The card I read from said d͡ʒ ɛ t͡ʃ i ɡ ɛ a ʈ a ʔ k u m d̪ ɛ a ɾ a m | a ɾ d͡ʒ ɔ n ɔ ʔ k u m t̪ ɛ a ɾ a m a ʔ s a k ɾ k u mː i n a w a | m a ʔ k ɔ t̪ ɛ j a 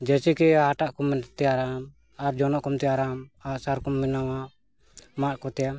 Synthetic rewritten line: d͡ʒ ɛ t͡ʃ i k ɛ a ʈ a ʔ k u m t̪ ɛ a ɾ a m | a ɾ d͡ʒ ɔ n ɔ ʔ k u m t̪ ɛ a ɾ a m a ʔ s a ɾ k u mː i n a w a | m a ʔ k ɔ t̪ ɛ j a